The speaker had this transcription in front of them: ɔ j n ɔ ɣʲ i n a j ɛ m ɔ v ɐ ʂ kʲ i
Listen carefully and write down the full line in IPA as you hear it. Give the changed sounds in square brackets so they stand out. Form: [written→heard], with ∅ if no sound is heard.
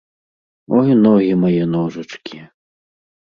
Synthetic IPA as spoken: ɔ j n ɔ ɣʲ i [n→m] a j ɛ [m→n] ɔ [v→ʐ] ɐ [ʂ→t͡ʂ] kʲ i